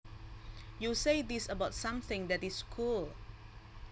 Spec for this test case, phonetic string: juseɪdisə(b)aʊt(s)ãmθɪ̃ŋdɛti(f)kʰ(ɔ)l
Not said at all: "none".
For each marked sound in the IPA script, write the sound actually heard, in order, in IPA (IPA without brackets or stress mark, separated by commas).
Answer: b, s, s, u